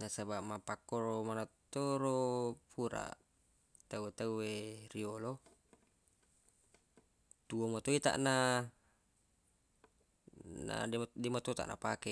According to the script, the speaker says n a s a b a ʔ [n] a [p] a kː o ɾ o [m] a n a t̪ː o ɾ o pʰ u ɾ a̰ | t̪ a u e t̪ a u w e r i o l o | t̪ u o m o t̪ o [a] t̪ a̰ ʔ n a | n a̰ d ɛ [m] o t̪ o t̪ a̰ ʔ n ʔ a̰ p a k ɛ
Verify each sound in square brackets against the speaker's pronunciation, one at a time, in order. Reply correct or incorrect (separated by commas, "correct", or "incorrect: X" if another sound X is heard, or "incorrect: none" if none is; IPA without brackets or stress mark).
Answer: incorrect: m, correct, correct, incorrect: i, correct